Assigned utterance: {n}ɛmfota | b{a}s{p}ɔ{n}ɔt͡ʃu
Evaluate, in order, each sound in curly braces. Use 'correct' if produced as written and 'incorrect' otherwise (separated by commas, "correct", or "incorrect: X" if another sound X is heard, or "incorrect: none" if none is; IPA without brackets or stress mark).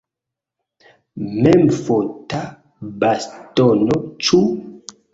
incorrect: m, correct, incorrect: t, correct